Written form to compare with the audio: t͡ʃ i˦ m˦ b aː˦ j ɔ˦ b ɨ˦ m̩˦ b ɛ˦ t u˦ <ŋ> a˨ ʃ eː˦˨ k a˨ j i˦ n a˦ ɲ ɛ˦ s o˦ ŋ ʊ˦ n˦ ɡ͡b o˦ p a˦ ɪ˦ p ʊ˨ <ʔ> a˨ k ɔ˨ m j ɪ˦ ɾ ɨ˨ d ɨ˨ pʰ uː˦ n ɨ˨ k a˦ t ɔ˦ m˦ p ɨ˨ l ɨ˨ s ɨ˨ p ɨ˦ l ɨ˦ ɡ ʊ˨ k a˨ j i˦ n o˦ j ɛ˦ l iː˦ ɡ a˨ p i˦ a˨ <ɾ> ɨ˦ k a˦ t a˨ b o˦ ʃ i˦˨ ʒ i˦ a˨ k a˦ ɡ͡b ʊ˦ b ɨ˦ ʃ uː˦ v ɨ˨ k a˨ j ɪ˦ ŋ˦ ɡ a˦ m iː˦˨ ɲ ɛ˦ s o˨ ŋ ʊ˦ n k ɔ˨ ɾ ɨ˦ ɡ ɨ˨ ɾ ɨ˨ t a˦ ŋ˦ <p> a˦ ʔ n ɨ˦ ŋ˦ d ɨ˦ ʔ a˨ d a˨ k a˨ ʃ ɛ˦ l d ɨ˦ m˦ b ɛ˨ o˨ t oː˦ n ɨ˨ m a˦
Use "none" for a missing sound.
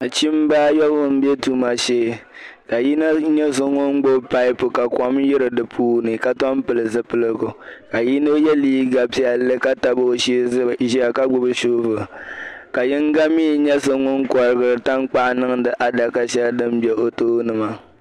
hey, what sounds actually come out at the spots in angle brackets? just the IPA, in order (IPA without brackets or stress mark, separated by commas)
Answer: m, k, l, k͡p